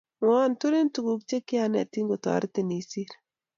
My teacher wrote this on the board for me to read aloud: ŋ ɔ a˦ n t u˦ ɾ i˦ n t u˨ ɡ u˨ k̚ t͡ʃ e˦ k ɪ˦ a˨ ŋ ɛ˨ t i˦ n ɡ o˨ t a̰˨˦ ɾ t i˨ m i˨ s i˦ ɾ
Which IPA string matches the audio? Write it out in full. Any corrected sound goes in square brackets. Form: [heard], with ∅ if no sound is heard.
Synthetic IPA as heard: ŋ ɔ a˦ n t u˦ ɾ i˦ n t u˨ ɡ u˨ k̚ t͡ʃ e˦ k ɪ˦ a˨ [n] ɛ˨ t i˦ [ŋ] ɡ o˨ t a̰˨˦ ɾ t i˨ [n] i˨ s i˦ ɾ